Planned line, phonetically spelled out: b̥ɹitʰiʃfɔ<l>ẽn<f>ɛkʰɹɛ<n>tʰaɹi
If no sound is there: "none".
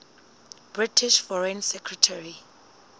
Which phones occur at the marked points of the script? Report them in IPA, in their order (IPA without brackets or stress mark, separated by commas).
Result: ɹ, s, none